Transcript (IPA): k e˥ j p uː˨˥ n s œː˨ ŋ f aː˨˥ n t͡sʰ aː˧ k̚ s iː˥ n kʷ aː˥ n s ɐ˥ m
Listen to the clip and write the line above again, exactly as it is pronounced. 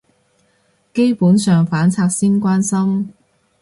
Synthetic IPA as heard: k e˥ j p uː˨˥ n s œː˨ ŋ f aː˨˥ n t͡sʰ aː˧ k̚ s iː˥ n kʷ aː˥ n s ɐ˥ m